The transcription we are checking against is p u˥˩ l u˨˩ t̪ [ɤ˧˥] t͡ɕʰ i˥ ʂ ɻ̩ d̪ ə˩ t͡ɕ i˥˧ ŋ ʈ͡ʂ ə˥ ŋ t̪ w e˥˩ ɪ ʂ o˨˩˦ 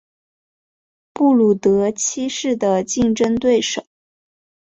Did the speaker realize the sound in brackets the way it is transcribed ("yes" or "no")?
yes